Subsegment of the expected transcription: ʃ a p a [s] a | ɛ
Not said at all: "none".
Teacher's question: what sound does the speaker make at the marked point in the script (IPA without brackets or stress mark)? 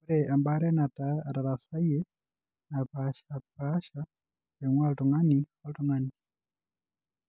ʃ